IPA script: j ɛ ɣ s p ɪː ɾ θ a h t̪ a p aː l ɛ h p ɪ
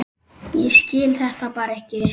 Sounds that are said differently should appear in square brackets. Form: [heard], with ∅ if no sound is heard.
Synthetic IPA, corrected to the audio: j ɛ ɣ s [c] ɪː [l] θ [ɛ] h t̪ a p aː [ɾ] ɛ h [c] ɪ